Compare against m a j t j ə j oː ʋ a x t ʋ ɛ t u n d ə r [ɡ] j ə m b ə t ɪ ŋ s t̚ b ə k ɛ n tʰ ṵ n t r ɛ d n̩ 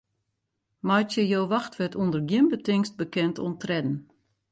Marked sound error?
no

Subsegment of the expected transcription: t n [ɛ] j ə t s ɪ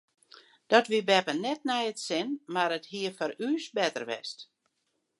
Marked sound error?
no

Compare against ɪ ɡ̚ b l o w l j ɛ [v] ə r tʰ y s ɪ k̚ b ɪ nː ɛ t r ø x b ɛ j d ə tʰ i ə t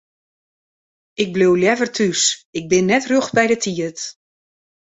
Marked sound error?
no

